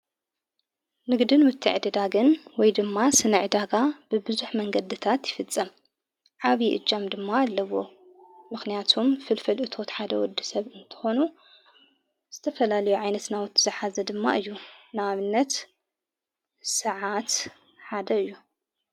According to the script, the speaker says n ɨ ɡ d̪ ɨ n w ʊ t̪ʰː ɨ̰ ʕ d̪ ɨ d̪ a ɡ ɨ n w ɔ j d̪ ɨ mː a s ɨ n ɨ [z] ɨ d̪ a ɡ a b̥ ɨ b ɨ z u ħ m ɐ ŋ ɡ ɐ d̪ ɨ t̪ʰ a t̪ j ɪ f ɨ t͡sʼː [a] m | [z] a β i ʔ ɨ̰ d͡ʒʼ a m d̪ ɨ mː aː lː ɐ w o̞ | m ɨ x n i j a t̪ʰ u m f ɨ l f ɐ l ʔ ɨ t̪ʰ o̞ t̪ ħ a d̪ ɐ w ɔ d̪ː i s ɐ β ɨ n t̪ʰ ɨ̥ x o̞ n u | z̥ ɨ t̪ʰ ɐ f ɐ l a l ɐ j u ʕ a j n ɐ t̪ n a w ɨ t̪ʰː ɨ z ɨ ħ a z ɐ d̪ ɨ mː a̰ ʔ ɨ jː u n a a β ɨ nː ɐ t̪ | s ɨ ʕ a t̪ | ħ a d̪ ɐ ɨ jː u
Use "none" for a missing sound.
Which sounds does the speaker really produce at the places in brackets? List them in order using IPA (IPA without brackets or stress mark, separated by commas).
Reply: ʕ, ɐ, ʕ